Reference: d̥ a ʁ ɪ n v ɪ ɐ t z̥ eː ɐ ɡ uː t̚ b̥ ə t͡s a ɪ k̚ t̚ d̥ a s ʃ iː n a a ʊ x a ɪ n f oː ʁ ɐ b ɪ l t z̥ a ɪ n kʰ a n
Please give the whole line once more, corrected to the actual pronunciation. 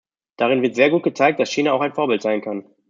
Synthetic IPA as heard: d̥ a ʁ ɪ n v ɪ ɐ t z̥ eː ɐ ɡ uː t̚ ɡ̥ ə t͡s a ɪ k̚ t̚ d̥ a s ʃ iː n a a ʊ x a ɪ n f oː ɐ b ɪ l t z̥ a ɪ n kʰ a n